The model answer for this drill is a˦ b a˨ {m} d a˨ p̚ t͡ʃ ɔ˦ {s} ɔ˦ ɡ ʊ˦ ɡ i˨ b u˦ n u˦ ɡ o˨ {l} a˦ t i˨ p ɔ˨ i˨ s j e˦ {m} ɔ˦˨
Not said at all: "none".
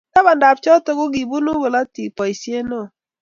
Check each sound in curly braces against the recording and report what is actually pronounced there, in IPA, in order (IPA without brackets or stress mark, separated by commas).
n, t, l, n